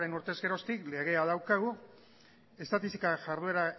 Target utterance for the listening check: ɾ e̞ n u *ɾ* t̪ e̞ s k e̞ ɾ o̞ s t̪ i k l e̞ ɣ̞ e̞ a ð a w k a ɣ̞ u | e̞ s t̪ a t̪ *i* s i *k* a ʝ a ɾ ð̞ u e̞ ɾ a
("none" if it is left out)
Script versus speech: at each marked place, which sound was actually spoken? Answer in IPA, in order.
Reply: ɾ, i, k

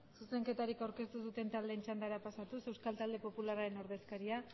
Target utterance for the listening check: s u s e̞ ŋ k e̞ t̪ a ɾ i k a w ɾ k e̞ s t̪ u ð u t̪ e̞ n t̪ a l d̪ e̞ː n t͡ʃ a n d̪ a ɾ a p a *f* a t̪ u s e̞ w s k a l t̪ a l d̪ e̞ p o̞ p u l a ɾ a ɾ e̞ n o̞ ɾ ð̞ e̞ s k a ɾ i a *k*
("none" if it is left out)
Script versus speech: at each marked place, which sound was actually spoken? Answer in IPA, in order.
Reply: s, none

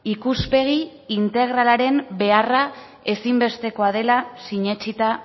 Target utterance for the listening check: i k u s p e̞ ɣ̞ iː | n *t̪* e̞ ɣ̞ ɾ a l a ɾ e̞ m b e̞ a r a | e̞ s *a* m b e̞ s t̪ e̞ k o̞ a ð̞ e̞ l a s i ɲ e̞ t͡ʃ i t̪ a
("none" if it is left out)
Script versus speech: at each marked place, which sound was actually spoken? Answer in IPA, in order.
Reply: t̪, i

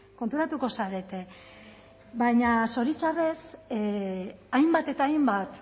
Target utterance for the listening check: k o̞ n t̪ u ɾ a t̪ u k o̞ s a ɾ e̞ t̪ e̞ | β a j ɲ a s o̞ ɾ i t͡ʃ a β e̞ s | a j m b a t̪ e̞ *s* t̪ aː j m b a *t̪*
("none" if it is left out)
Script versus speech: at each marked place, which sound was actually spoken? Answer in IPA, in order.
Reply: none, t̪

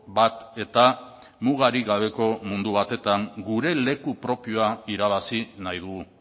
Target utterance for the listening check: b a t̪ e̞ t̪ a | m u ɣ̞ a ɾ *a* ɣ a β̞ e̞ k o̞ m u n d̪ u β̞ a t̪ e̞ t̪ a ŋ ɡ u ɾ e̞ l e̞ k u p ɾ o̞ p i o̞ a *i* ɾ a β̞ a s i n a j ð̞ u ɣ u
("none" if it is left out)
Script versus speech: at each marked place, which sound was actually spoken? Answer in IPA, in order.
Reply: i, i

